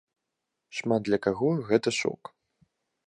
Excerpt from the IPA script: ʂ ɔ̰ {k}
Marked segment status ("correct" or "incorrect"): correct